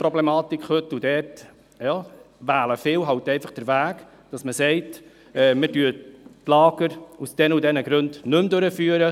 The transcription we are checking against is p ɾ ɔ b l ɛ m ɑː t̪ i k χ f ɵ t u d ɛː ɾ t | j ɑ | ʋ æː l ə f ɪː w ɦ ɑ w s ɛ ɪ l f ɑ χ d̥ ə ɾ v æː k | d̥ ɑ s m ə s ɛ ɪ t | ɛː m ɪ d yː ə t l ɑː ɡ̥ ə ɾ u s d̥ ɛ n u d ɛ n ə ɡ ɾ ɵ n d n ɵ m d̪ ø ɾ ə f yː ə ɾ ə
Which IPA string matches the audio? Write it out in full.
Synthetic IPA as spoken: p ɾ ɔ b l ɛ m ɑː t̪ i k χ h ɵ t u d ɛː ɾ t | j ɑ | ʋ æː l ə f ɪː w ɦ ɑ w t ɛ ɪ f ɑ χ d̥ ə ɾ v æː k | d̥ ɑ s m ə s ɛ ɪ t | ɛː m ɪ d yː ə t l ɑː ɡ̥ ə ɾ u s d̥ ɛ n u d ɛ n ə ɡ ɾ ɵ n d n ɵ m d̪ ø ɾ ə f yː ə ɾ ə